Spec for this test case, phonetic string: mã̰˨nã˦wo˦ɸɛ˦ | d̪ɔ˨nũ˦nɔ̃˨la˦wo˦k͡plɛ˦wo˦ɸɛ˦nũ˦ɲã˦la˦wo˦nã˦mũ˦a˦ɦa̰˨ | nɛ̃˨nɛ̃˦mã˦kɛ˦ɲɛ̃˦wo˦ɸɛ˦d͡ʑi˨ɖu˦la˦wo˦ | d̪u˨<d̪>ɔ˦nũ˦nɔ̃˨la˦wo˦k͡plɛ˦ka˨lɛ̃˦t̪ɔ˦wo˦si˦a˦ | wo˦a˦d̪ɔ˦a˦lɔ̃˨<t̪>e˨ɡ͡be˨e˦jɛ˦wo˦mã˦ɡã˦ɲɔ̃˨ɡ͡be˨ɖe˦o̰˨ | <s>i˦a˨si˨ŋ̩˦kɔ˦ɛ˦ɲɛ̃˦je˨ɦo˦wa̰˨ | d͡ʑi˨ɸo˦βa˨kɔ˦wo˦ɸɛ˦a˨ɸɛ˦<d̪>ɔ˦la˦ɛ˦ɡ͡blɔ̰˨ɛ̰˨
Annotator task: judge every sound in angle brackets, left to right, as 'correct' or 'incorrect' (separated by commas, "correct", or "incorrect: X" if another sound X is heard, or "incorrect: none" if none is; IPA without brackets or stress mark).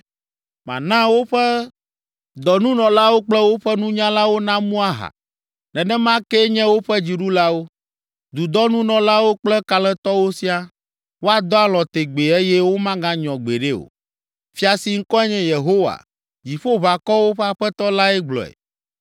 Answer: correct, correct, incorrect: f, incorrect: t̪